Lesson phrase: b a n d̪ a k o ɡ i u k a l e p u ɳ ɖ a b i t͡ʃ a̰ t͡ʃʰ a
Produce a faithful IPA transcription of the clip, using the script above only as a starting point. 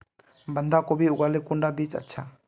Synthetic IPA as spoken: b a n d̪ a k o b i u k a l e k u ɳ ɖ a b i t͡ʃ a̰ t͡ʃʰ a